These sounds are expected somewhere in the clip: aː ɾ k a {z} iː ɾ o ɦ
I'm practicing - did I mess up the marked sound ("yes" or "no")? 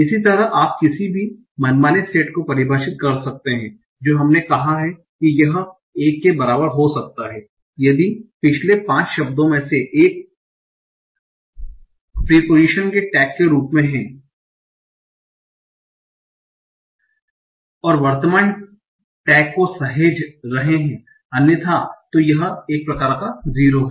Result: no